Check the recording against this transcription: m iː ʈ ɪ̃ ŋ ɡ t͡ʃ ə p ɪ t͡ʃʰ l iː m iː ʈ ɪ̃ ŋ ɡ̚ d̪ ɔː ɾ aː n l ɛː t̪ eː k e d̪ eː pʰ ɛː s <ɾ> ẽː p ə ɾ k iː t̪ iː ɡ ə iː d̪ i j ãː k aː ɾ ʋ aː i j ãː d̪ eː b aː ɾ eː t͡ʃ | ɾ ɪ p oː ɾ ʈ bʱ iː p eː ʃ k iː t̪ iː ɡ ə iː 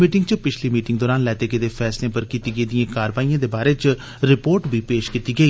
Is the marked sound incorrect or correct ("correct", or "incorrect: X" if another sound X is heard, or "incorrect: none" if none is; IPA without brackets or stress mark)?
incorrect: l